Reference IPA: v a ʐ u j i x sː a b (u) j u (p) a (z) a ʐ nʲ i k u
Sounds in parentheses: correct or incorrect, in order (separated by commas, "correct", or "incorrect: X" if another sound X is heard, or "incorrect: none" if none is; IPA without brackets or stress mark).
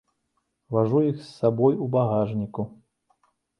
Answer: incorrect: ɔ, incorrect: b, incorrect: ɣ